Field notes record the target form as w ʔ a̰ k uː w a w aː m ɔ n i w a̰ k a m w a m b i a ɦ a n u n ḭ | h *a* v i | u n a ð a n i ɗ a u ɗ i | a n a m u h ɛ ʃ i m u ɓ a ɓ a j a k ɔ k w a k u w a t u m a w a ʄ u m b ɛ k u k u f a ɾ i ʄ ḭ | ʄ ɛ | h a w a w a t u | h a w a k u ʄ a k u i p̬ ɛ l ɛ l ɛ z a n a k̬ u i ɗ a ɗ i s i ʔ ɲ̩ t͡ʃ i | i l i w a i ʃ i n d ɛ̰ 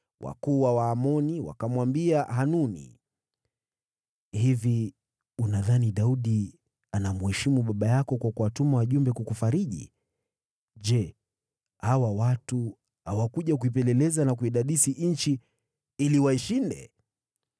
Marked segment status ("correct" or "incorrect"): incorrect